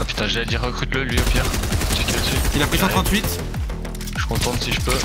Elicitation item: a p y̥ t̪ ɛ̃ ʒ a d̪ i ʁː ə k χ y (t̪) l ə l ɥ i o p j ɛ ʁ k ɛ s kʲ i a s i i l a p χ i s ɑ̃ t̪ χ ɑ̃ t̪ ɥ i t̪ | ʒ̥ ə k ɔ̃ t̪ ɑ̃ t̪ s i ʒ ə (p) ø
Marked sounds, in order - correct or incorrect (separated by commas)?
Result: correct, correct